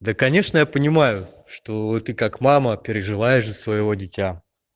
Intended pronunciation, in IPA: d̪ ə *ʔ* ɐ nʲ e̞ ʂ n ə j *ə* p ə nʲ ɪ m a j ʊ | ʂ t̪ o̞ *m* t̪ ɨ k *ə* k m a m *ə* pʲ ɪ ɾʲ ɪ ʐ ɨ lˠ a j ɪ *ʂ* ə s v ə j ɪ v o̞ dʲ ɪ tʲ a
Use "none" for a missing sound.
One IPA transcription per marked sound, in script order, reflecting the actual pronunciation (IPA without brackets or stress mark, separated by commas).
k, a, none, a, ə, ʂ